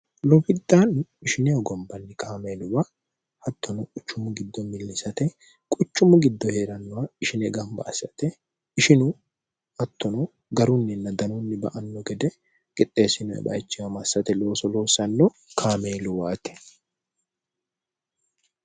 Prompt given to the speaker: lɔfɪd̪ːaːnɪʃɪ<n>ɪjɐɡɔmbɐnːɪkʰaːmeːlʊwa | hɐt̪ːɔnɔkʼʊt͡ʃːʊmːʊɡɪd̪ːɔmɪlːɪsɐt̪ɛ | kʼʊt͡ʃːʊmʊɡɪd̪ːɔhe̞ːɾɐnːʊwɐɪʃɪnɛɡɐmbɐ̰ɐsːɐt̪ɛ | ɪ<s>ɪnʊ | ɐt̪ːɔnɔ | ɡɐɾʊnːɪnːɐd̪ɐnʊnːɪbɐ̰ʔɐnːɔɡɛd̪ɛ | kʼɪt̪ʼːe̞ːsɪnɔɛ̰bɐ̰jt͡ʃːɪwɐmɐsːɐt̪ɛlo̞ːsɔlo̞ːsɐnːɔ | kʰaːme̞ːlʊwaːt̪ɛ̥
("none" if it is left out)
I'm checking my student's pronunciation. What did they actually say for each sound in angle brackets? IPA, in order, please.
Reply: n, ʃ

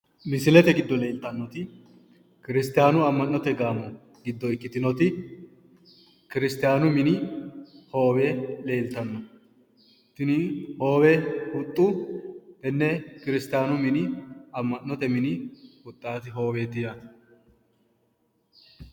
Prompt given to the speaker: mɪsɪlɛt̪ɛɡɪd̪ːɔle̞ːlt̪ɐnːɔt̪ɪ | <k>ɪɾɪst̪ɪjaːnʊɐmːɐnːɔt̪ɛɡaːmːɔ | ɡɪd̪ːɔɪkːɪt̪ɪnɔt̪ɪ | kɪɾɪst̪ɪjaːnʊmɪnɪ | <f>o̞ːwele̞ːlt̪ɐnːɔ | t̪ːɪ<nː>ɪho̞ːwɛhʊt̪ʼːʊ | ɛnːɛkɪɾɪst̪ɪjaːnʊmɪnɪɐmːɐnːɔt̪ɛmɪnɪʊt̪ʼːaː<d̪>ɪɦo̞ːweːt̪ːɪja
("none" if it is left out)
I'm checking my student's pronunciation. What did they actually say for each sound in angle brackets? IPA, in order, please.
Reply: k, h, n, t̪

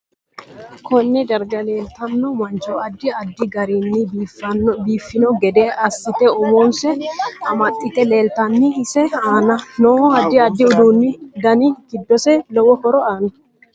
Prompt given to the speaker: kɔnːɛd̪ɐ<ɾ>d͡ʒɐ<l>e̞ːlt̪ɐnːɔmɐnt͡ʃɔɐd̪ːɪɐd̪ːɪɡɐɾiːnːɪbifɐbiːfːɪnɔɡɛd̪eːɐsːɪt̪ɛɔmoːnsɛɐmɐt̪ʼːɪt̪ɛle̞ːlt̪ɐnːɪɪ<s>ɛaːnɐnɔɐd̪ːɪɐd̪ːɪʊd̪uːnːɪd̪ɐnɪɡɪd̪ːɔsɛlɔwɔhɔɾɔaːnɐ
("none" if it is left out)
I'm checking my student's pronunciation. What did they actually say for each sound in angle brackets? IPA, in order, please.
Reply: ɾ, l, s

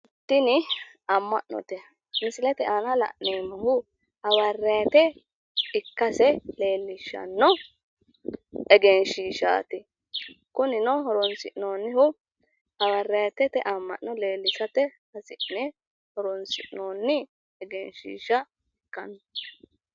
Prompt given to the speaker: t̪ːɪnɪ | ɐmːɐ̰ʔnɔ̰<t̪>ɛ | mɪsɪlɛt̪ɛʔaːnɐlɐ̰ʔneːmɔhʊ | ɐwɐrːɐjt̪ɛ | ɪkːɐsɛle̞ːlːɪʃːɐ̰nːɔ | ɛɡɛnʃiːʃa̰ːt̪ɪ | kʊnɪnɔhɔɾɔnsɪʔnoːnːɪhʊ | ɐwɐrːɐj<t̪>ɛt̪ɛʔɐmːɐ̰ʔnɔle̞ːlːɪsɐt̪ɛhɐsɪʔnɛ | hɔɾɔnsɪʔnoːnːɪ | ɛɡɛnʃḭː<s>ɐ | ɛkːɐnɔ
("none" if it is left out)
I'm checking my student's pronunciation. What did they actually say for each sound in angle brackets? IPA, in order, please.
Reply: t̪, t̪, ʃ

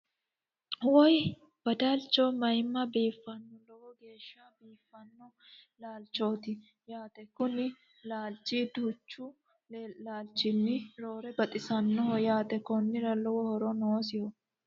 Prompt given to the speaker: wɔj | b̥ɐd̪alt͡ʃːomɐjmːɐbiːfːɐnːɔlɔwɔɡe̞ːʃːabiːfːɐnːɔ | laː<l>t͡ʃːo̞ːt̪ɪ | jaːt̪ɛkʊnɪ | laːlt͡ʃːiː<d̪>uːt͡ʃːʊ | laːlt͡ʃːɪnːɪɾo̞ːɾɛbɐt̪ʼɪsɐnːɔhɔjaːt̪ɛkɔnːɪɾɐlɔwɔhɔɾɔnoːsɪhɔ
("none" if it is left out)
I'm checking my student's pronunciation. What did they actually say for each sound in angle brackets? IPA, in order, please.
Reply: l, d̪

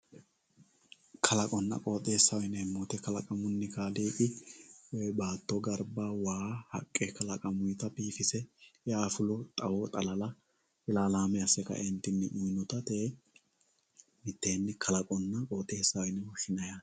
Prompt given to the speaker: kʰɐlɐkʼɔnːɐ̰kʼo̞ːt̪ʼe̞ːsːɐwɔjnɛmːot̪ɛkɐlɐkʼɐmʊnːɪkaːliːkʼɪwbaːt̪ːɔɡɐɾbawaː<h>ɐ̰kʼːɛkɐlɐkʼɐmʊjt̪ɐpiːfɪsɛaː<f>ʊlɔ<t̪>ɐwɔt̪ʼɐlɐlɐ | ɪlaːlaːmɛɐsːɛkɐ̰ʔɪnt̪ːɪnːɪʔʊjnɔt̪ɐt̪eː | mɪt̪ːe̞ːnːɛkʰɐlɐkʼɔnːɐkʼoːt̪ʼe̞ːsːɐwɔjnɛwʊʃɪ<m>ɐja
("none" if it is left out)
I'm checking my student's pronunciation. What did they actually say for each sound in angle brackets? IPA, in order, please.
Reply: h, f, t̪ʼ, n

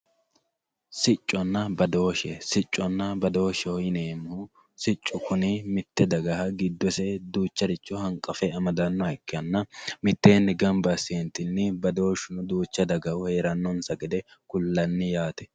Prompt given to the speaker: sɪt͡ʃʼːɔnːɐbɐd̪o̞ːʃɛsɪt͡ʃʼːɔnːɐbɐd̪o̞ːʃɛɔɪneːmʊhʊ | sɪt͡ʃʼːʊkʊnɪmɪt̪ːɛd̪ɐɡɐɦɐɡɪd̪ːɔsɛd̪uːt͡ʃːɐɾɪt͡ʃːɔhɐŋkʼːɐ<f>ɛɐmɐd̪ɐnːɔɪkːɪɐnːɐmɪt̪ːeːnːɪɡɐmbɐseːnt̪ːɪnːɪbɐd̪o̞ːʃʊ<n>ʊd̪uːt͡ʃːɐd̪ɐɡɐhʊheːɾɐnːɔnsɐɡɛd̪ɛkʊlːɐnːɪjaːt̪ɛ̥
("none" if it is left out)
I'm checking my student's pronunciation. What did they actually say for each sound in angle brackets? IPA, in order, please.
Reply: f, n

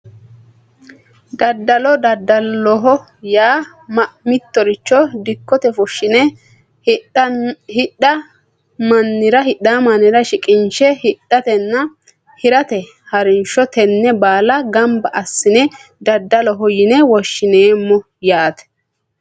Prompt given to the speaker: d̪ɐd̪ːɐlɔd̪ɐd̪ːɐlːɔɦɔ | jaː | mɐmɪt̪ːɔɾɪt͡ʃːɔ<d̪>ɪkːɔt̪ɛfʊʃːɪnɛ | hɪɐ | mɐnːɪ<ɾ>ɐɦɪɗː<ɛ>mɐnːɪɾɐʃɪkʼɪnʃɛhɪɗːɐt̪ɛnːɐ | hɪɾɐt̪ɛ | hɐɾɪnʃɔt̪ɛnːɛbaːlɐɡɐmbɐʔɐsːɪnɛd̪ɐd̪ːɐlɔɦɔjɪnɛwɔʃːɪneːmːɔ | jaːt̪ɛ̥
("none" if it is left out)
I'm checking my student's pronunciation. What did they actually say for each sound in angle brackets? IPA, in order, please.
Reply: d̪, ɾ, a

